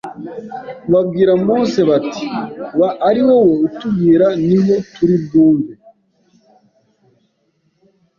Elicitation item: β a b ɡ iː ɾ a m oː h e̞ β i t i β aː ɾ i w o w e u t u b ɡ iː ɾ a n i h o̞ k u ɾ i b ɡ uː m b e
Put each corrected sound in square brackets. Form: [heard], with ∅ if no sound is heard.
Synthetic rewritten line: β a b ɡ iː ɾ a m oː [s] e̞ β [a] t i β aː ɾ i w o w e u t u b ɡ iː ɾ a n i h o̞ [t] u ɾ i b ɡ uː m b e